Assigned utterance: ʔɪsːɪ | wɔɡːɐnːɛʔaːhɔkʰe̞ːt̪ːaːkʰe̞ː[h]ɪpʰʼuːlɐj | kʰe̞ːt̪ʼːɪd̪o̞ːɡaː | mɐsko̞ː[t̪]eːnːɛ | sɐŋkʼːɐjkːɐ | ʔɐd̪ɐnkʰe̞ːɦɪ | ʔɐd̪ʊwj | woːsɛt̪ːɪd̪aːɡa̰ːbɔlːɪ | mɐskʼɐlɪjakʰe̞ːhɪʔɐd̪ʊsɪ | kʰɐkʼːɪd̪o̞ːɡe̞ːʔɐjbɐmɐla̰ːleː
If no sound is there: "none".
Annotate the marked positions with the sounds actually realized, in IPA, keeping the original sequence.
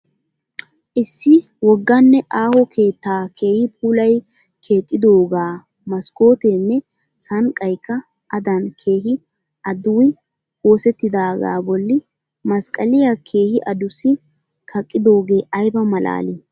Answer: h, t̪

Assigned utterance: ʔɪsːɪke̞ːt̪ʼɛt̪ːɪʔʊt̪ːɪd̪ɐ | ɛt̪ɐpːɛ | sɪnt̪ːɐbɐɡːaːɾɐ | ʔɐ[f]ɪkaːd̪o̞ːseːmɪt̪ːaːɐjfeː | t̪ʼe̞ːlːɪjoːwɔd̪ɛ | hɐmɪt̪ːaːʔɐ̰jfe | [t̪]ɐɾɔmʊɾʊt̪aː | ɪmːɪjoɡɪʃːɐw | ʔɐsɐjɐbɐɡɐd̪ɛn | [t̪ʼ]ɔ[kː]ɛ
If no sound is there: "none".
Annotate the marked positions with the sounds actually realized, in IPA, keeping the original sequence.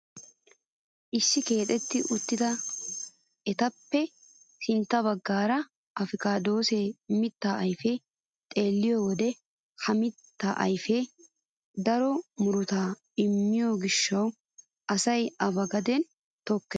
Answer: f, d̪, t̪, kː

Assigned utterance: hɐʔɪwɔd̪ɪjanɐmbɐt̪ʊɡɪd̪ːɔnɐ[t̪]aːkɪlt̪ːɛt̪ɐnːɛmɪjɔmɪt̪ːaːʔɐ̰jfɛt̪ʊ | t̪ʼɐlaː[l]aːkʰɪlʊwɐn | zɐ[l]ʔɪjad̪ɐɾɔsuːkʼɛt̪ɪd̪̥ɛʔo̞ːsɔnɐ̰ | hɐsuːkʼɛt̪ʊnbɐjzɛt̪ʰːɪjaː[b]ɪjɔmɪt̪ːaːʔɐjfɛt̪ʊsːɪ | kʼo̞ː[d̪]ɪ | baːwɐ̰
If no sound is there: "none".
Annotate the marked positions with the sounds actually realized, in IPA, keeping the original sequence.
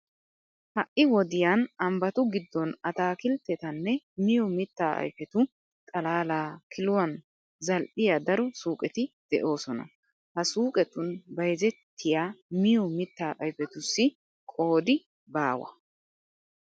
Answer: t̪, l, l, m, d̪

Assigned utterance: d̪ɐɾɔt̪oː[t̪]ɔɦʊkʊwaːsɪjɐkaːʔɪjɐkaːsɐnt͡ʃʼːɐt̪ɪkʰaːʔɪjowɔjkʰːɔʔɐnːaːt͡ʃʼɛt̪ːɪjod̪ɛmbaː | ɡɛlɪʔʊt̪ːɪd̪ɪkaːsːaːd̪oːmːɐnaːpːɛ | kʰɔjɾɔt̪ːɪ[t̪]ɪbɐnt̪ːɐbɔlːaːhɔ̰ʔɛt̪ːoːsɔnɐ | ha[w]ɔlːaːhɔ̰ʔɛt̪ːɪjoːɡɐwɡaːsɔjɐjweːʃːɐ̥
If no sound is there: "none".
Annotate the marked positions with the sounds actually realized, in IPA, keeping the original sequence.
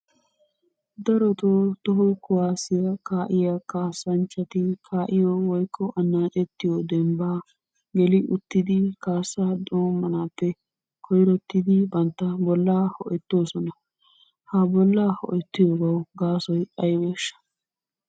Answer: t̪, d̪, b

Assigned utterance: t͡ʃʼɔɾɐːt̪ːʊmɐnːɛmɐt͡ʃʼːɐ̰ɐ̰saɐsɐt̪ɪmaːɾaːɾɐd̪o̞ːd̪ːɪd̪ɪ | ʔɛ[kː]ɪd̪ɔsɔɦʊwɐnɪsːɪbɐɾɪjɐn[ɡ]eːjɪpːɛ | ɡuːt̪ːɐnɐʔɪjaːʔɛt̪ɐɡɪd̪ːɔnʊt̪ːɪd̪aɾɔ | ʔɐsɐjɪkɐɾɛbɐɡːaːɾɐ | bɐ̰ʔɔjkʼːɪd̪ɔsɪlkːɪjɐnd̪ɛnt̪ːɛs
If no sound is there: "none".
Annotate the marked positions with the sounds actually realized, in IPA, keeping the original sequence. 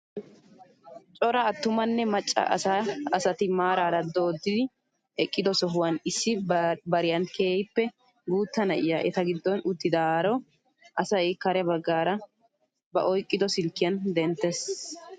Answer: kʼː, k

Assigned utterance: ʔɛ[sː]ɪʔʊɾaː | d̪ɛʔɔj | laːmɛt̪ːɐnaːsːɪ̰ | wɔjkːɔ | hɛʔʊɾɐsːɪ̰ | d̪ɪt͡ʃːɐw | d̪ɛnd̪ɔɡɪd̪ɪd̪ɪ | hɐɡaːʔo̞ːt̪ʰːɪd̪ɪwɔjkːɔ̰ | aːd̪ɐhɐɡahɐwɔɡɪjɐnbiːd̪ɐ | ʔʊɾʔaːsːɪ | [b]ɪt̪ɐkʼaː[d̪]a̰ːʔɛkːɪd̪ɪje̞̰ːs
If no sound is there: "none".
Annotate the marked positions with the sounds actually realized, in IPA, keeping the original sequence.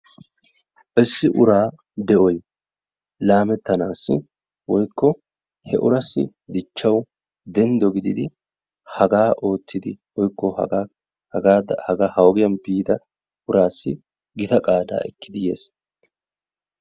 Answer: sː, ɡ, d̪

